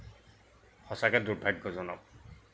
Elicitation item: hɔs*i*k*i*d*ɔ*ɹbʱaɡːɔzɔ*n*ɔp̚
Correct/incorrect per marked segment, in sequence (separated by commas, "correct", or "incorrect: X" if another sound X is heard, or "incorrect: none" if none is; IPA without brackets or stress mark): incorrect: a, incorrect: ɛ, incorrect: u, correct